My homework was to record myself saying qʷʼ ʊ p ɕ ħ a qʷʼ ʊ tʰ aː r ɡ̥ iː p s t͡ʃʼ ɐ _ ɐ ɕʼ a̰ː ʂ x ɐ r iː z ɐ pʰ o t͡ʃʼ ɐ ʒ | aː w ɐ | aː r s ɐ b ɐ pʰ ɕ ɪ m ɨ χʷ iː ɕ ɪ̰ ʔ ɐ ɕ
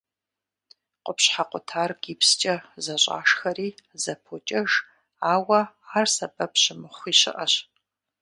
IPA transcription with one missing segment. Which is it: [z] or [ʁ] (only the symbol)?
z